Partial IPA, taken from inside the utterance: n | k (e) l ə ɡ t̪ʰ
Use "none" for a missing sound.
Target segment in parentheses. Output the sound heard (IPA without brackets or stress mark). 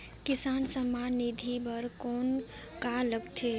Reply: a